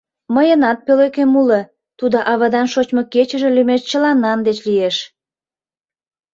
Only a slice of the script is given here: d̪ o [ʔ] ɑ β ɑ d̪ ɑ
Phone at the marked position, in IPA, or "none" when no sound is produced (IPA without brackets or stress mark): ʔ